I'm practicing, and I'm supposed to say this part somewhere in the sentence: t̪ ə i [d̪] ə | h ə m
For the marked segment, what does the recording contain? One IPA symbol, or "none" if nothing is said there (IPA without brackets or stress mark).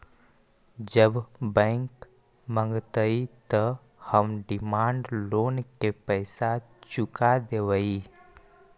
t̪